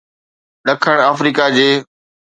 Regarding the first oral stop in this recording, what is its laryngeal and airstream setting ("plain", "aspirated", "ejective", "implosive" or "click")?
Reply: implosive